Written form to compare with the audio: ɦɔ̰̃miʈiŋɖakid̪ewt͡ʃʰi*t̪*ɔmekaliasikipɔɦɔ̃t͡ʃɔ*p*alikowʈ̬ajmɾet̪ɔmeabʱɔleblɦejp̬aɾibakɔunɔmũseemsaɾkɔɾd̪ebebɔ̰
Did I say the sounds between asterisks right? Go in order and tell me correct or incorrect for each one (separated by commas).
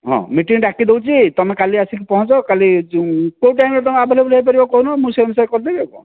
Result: correct, incorrect